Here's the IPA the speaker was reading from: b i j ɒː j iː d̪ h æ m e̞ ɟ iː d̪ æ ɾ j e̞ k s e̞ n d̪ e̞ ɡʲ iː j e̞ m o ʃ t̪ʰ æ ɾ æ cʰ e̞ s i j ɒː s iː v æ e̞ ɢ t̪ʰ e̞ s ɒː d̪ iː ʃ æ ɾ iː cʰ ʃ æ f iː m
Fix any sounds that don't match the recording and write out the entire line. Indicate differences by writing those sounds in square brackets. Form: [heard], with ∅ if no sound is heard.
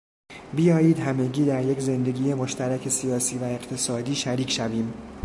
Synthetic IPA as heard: b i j ɒː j iː d̪ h æ m e̞ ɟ iː d̪ æ ɾ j e̞ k [z] e̞ n d̪ e̞ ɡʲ iː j e̞ m o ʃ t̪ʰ æ ɾ æ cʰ e̞ s i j ɒː s iː v æ e̞ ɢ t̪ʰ e̞ s ɒː d̪ iː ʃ æ ɾ iː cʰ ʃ æ [v] iː m